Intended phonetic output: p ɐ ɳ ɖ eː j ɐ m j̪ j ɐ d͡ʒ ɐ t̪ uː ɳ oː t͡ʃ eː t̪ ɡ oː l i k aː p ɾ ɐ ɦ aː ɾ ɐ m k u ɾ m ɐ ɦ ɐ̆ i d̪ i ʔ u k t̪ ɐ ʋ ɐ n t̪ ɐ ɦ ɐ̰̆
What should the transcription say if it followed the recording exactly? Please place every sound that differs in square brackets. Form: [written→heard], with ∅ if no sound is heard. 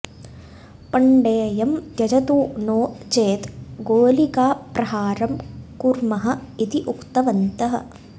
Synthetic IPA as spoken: p ɐ ɳ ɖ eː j ɐ m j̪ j ɐ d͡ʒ ɐ t̪ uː [ɳ→n] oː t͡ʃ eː t̪ ɡ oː l i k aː p ɾ ɐ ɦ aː ɾ ɐ m k u ɾ m ɐ ɦ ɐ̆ i [d̪→t̪] i ʔ u k t̪ ɐ ʋ ɐ n t̪ ɐ ɦ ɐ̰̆